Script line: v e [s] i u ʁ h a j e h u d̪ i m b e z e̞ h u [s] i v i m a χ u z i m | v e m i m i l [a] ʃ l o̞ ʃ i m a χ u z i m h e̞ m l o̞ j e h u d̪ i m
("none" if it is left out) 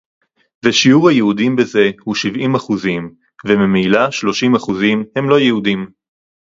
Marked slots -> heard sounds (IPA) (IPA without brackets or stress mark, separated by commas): ʃ, ʃ, a